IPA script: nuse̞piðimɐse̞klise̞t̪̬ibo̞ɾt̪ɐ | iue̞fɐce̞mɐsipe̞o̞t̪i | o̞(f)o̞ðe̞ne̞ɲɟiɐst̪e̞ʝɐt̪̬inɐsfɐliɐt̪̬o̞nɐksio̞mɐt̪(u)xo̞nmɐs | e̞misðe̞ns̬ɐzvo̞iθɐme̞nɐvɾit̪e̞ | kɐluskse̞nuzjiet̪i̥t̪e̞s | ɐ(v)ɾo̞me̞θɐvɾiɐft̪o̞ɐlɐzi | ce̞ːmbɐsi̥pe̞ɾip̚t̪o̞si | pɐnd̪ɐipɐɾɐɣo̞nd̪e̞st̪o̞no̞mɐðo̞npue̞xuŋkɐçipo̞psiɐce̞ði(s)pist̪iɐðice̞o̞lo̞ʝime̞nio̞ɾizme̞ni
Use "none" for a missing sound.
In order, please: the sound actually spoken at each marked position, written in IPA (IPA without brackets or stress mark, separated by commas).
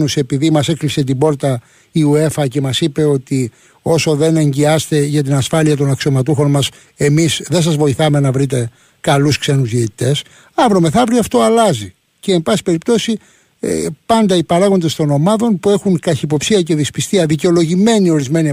s, u, v, s